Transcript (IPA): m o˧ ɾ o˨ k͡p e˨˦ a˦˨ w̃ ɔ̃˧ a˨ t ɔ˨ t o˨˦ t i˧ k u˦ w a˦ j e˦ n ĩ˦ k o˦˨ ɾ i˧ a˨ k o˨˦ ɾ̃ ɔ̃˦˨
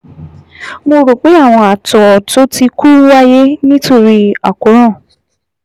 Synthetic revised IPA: m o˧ ɾ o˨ k͡p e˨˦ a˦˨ w̃ ɔ̃˧ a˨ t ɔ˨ t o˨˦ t i˧ k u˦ w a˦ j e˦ n ĩ˦ t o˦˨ ɾ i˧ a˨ k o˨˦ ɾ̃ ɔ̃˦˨